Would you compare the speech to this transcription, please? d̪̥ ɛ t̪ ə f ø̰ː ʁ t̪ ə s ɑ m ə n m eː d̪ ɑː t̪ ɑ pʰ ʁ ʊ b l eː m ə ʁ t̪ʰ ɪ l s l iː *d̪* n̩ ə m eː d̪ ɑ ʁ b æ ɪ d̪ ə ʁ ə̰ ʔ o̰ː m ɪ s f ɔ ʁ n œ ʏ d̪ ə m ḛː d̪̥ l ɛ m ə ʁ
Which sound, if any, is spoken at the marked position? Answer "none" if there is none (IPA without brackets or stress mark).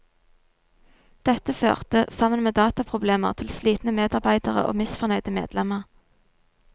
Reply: t̪